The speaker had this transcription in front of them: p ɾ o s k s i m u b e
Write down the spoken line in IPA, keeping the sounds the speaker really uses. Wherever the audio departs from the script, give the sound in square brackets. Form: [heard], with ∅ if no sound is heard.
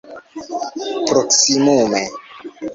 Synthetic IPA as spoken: p ɾ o [∅] k s i m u [m] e